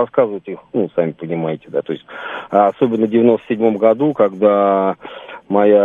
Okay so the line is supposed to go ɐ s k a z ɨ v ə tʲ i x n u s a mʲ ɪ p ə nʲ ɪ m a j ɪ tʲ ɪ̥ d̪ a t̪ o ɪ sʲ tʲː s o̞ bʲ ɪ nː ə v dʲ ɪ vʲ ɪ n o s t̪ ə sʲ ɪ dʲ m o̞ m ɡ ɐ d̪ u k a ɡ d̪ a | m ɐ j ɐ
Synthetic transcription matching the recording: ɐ s k a z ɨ v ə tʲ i x n u s a mʲ ɪ p ə nʲ ɪ m a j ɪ tʲ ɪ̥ d̪ a t̪ o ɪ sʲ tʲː s o̞ bʲ ɪ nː ə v dʲ ɪ vʲ ɪ n o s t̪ ə sʲ ɪ dʲ m o̞ m ɡ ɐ d̪ u k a ɡ d̪ a | m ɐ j a